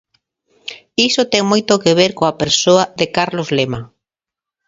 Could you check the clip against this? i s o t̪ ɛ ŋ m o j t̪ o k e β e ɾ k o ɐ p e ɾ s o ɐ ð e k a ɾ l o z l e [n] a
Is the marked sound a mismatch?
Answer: yes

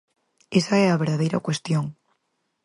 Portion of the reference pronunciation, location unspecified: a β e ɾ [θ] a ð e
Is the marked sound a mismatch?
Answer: yes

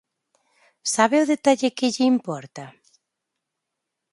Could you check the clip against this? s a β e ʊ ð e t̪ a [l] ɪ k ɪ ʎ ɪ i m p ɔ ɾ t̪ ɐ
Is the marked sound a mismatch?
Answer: yes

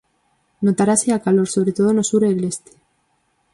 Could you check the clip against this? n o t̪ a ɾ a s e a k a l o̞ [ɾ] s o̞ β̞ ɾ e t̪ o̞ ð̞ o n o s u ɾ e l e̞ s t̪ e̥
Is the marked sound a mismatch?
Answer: no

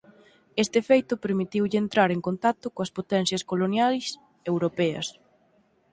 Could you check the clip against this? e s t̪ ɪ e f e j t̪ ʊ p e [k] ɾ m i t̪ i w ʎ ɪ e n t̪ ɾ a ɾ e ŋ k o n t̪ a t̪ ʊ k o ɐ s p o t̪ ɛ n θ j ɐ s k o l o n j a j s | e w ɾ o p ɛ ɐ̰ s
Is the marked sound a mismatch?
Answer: yes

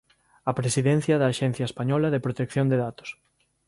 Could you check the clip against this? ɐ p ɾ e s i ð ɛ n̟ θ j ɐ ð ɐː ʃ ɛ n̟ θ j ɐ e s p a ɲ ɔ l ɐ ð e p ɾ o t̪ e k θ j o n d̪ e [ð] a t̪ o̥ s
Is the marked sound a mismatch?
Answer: no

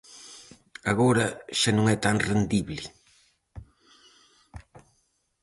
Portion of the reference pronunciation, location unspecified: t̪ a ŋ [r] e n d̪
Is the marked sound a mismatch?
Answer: no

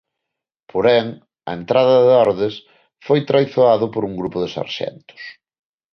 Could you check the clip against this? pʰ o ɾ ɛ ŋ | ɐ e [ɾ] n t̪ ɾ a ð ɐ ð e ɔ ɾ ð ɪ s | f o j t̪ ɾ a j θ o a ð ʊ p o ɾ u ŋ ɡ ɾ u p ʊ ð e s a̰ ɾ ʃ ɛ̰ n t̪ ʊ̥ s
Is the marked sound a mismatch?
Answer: yes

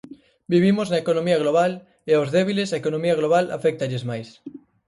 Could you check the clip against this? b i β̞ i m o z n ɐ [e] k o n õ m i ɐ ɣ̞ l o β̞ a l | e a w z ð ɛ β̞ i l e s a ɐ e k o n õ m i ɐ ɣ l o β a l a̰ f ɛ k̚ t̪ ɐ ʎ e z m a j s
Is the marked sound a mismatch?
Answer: no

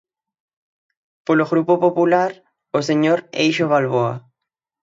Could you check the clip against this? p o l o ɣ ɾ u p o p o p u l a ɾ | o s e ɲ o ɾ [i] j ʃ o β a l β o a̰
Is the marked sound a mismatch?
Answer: yes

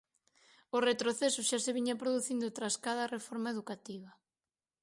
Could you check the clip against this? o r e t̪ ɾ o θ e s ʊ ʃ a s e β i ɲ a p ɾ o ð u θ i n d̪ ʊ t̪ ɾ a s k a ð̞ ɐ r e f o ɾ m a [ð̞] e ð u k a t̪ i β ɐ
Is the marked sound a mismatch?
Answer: yes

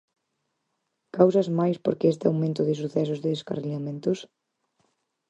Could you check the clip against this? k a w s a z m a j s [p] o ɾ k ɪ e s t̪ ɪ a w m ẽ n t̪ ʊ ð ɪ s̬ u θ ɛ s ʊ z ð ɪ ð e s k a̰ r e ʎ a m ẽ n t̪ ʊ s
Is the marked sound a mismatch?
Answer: no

